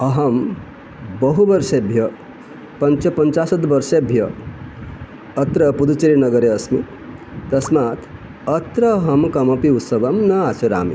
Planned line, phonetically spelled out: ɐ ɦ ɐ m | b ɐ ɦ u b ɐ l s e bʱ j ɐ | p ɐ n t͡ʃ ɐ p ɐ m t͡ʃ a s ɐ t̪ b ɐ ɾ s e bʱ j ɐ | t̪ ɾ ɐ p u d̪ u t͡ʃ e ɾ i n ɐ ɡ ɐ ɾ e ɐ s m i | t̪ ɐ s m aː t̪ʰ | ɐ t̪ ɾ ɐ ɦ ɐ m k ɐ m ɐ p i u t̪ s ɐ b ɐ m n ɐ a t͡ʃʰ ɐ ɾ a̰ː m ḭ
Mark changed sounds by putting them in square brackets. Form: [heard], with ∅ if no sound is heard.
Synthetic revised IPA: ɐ ɦ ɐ m | b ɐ ɦ u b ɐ [ɾ] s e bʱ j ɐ | p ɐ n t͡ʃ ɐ p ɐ [n] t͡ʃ a s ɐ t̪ b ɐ ɾ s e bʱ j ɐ | t̪ ɾ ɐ p u d̪ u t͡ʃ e ɾ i n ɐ ɡ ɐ ɾ e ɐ s m i | t̪ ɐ s m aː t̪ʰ | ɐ t̪ ɾ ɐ ɦ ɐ m k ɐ m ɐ p i u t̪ s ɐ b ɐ m n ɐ a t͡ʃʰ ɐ ɾ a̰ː m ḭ